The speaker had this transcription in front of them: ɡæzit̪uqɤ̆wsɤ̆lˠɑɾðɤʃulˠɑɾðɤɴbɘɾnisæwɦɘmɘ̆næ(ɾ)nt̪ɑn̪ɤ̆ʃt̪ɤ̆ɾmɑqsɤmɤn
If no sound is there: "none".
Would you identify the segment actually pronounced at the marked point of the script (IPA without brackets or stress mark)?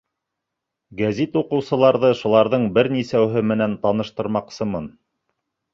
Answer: none